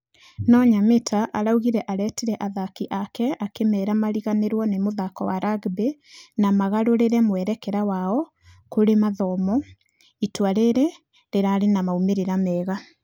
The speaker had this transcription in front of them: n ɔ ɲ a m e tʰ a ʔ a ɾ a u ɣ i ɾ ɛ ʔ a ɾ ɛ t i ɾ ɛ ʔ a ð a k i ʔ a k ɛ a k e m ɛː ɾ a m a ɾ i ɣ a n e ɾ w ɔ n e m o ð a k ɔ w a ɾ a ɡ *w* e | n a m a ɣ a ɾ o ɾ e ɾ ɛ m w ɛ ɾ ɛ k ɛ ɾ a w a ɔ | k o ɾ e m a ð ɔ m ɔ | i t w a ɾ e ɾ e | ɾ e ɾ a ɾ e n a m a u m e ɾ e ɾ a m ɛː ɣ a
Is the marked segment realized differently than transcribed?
yes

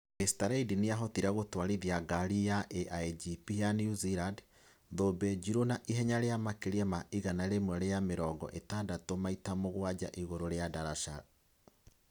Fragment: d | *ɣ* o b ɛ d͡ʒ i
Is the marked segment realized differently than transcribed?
yes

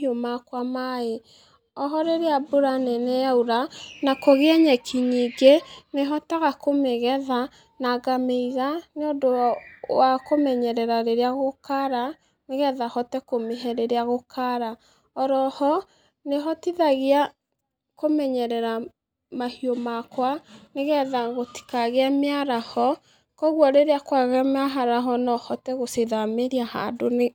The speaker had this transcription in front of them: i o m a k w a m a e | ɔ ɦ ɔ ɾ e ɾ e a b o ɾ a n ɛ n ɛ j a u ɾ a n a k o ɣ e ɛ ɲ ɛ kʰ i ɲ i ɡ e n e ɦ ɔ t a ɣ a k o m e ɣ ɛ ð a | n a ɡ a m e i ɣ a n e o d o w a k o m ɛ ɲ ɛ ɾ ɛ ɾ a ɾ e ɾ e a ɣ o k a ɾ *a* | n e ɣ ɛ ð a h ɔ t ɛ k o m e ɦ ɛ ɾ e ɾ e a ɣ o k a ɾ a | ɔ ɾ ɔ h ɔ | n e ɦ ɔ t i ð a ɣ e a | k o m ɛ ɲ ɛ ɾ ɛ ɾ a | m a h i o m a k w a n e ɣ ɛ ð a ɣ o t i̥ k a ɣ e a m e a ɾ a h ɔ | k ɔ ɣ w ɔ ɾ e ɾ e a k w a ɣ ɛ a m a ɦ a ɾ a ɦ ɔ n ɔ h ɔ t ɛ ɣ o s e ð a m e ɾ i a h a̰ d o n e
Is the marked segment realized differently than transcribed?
no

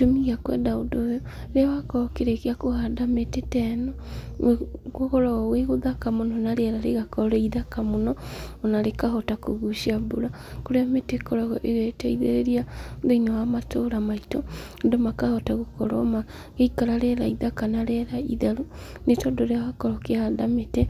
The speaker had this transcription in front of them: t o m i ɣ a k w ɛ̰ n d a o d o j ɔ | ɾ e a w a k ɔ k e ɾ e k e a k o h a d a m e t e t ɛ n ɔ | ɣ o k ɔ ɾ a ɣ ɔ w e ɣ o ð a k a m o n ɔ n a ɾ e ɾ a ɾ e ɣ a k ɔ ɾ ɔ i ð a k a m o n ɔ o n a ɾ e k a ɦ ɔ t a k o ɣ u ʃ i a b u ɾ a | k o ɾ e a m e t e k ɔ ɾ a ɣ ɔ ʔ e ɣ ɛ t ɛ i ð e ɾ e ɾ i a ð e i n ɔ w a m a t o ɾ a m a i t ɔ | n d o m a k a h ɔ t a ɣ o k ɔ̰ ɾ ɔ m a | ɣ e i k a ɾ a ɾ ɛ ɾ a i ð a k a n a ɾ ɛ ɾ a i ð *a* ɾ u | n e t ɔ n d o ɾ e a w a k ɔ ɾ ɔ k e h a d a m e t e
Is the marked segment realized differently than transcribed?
no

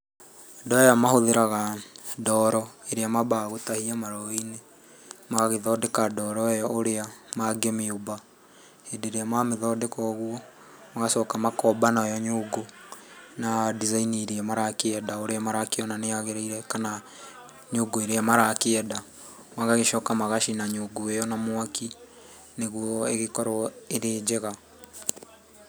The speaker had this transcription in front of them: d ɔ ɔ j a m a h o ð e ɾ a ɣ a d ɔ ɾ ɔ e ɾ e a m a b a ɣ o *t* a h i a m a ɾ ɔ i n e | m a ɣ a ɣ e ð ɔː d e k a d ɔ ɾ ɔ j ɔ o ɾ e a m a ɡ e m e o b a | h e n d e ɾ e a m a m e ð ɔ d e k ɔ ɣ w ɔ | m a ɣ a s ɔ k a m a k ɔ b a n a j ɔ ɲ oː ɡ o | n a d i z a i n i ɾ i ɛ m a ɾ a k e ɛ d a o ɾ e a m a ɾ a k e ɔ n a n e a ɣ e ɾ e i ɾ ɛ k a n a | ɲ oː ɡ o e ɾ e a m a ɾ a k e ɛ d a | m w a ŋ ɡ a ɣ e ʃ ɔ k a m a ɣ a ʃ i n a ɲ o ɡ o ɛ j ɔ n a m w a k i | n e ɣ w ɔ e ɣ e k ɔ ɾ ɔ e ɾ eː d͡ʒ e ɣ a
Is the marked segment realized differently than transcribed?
no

